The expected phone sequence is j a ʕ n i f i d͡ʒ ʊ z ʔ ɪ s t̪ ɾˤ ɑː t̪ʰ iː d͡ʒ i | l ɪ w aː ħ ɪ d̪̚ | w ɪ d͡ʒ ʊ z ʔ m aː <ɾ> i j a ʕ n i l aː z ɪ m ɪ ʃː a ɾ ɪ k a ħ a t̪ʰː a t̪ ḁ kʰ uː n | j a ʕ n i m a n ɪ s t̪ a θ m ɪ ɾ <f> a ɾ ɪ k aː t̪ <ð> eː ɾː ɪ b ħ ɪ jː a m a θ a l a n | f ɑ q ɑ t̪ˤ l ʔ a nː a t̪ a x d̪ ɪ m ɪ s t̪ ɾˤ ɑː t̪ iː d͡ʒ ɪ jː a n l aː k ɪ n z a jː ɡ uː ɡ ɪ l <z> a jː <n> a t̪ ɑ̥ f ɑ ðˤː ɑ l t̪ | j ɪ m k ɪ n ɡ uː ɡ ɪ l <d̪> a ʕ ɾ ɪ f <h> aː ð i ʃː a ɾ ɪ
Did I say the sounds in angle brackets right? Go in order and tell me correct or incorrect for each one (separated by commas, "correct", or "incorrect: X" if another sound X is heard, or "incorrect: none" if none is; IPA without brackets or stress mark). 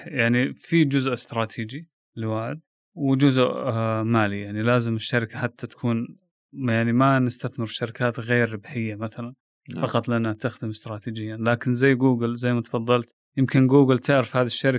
incorrect: l, incorrect: ʃ, incorrect: ɣ, correct, incorrect: m, incorrect: t̪, correct